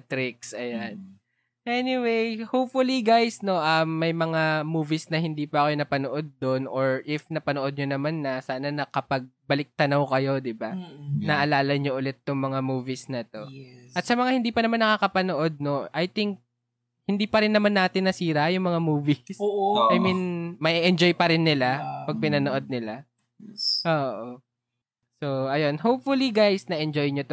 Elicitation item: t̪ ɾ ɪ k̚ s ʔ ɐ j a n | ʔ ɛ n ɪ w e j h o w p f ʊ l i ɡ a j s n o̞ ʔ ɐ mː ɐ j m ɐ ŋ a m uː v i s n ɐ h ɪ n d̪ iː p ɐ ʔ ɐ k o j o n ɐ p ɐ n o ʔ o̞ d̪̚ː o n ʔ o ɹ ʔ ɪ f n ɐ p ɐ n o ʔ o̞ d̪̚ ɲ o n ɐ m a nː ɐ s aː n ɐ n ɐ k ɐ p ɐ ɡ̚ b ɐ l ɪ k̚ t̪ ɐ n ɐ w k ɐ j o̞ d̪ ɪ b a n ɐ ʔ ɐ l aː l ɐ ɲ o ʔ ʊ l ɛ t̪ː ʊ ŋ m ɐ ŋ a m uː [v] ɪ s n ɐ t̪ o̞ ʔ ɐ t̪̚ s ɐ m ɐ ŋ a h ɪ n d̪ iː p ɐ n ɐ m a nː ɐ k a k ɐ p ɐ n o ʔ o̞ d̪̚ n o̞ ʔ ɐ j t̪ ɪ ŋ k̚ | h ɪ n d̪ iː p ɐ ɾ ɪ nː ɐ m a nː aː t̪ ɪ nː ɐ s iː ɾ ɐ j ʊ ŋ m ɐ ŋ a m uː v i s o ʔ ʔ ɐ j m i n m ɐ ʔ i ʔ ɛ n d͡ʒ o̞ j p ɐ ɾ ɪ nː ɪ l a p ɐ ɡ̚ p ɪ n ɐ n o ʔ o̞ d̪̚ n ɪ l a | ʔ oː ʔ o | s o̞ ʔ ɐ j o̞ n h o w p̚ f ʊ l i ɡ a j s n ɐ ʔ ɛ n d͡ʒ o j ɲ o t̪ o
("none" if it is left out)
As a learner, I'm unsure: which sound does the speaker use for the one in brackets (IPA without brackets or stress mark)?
v